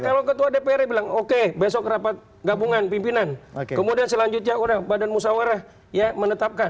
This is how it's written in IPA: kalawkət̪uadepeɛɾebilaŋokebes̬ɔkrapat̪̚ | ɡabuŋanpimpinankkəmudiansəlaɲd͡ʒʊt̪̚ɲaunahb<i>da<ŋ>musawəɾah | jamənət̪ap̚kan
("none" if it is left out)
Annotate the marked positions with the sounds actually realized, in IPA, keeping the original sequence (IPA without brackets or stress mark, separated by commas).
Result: a, n